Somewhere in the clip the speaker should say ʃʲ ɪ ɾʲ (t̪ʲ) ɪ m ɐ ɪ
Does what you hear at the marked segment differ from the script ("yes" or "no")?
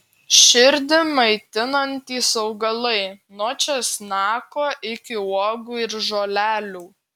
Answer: yes